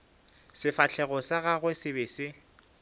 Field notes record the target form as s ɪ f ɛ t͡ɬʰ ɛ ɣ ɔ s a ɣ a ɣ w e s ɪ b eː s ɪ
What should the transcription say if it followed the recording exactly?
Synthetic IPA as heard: s ɪ f a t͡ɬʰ ɛ ɣ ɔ s a ɣ a ɣ w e s ɪ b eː s ɪ

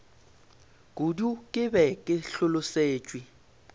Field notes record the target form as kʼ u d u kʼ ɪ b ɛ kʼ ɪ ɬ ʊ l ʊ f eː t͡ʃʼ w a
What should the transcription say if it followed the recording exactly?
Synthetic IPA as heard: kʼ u d u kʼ ɪ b ɛ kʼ ɪ ɬ ʊ l ʊ s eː t͡ʃʼ w i

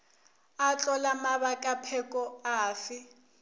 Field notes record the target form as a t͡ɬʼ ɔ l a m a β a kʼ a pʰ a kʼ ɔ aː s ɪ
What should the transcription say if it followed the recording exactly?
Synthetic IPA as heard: a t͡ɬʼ ɔ l a m a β a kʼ a pʰ ɛ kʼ ɔ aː f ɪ

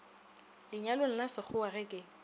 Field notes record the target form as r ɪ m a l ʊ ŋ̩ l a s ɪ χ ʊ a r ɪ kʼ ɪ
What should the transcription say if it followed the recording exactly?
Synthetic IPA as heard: l ɪ ɲ a l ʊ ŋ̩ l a s ɪ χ ʊ a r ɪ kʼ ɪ

